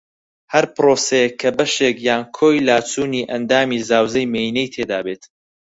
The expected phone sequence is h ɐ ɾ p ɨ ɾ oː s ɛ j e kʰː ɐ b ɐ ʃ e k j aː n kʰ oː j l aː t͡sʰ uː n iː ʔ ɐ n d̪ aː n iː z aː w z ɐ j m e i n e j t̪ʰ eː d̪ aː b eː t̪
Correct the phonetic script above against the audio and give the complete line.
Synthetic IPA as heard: h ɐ ɾ p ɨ ɾ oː s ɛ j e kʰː ɐ b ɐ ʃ e k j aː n kʰ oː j l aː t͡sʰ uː n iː ʔ ɐ n d̪ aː m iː z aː w z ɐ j m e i n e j t̪ʰ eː d̪ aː b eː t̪